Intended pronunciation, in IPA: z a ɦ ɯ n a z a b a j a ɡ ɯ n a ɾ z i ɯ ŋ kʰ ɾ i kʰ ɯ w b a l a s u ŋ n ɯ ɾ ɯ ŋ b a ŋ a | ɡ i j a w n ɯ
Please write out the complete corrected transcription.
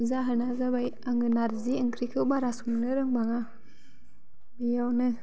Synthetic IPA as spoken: z a ɦ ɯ n a z a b a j a ŋ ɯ n a ɾ z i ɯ ŋ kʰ ɾ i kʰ ɯ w b a ɾ a s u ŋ n ɯ ɾ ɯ ŋ b a ŋ a | b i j a w n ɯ